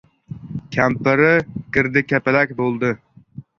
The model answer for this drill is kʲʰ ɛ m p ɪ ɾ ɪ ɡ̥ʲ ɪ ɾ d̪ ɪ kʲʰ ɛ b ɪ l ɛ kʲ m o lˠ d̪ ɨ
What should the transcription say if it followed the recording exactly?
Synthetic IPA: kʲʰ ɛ m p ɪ ɾ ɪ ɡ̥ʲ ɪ ɾ d̪ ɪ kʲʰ ɛ p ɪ l ɛ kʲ b o lˠ d̪ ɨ